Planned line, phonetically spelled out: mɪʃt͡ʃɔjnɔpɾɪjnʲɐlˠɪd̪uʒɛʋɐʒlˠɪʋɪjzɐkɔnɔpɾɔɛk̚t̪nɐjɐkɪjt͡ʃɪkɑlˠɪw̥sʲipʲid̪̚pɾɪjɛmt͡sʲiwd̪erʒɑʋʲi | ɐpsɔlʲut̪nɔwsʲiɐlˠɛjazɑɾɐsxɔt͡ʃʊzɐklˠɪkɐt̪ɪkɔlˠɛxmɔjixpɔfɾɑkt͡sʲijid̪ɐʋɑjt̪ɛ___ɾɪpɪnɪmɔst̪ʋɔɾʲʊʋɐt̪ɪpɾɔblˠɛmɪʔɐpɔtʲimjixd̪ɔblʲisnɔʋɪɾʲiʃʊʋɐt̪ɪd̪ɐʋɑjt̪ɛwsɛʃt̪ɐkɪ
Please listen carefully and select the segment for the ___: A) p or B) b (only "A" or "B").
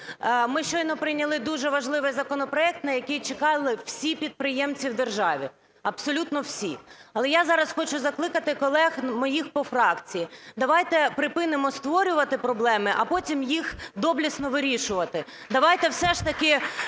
A